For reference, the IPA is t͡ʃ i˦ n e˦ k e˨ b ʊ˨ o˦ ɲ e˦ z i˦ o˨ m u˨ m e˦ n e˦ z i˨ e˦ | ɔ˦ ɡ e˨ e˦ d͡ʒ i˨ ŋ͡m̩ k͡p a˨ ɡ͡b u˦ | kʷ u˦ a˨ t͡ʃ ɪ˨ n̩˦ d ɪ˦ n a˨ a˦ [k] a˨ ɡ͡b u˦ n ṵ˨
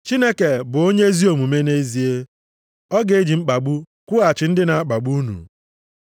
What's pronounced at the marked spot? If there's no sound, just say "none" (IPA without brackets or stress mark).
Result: k͡p